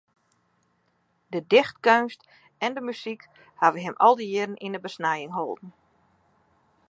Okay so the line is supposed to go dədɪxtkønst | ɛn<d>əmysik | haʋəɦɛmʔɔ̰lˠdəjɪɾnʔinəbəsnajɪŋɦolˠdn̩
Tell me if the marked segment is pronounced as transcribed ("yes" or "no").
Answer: yes